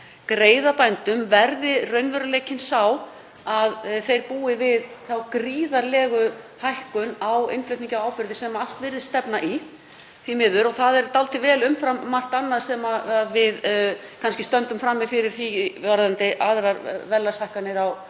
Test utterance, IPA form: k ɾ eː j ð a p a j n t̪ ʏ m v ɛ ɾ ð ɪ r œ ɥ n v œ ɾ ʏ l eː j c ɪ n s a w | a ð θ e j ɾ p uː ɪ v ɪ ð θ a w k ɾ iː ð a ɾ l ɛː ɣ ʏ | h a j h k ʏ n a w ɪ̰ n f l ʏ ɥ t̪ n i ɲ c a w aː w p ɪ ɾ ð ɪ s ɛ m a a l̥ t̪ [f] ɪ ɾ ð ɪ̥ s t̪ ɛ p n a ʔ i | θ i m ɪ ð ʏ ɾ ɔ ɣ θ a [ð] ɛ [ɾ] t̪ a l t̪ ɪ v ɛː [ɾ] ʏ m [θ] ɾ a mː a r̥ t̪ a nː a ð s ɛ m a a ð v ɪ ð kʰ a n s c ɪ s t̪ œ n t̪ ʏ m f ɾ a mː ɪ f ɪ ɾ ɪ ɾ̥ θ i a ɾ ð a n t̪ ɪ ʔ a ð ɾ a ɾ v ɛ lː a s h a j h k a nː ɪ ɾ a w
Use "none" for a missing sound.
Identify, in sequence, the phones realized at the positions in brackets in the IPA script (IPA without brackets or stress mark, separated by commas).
v, ð, ɾ, l, f